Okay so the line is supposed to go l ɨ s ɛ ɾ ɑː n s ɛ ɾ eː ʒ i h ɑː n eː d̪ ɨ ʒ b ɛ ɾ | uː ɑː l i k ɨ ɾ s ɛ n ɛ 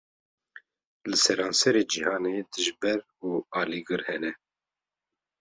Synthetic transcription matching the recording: l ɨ s ɛ ɾ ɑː n s ɛ ɾ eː d͡ʒ i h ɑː n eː d̪ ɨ ʒ b ɛ ɾ | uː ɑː l i ɡ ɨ ɾ h ɛ n ɛ